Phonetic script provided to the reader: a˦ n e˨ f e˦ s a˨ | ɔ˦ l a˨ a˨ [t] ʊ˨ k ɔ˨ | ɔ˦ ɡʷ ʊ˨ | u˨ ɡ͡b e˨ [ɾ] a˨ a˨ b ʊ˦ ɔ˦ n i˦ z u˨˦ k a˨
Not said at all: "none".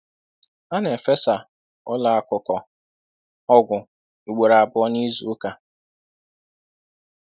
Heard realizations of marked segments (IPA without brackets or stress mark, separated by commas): k, ɾ